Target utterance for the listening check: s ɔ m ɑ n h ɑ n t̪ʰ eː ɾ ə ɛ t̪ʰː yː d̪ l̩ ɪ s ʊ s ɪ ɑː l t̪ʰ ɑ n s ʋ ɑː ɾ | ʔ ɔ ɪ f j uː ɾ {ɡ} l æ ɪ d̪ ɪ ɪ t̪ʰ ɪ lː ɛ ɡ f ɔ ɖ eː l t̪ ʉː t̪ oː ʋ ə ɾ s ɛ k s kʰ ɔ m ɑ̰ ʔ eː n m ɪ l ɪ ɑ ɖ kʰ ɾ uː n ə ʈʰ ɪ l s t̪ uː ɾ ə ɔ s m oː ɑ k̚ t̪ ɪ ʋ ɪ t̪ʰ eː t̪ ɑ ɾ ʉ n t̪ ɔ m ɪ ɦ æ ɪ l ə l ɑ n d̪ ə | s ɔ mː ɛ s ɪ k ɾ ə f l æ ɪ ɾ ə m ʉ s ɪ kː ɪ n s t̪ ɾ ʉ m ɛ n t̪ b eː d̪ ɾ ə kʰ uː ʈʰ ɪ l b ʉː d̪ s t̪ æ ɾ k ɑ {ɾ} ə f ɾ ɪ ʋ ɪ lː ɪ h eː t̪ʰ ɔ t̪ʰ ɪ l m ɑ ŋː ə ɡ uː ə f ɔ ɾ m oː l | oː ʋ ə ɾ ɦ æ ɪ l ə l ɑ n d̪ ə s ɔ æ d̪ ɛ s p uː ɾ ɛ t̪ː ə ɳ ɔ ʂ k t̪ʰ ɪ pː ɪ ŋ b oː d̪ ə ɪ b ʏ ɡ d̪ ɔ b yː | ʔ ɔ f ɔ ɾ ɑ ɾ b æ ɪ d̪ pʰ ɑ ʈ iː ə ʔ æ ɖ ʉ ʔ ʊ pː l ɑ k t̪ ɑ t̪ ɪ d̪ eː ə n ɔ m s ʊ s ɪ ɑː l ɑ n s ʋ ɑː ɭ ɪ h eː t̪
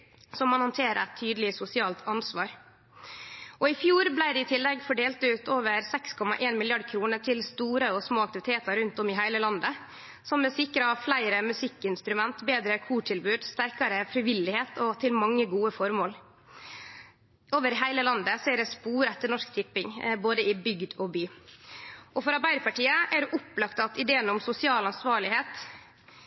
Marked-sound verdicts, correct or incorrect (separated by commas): incorrect, correct